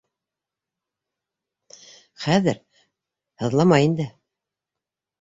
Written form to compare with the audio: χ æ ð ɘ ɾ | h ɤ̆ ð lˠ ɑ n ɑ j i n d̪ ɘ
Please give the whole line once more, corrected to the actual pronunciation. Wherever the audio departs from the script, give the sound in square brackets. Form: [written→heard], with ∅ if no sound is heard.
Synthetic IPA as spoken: χ æ ð ɘ ɾ | h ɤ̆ ð lˠ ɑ [n→m] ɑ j i n d̪ ɘ